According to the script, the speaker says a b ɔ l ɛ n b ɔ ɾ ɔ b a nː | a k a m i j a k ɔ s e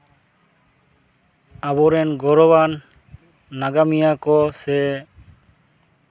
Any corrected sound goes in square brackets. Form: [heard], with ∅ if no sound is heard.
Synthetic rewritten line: a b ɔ [ɾ] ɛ n [ɡ] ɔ ɾ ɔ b a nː | a [ɡ] a m i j a k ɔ s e